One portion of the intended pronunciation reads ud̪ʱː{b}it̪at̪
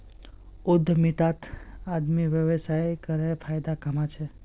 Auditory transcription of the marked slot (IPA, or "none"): m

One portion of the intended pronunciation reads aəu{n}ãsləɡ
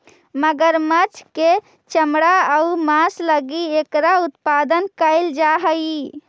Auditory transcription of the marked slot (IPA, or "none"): m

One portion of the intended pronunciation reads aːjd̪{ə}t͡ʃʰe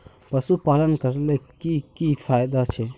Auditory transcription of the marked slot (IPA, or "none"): a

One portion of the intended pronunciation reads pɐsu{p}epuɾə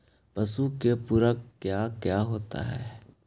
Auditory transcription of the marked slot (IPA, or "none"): k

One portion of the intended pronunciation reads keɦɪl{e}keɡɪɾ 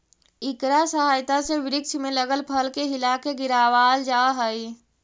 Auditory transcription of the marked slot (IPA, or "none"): a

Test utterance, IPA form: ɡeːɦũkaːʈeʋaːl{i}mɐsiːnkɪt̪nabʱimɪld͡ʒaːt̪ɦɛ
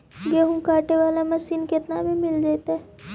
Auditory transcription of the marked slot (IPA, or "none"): a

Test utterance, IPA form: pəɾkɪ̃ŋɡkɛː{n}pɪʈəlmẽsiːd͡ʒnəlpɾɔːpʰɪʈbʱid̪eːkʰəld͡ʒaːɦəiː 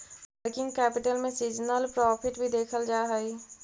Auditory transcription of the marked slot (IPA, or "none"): none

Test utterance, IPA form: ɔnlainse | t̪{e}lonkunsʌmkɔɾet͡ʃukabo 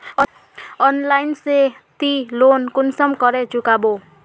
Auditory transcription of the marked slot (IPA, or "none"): i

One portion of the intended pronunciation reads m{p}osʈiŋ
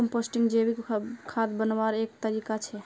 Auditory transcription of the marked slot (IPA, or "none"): p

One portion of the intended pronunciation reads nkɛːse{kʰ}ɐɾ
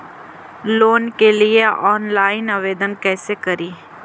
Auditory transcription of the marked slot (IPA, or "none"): k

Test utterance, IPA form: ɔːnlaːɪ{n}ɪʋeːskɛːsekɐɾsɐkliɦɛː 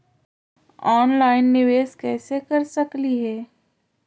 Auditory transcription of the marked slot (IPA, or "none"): nː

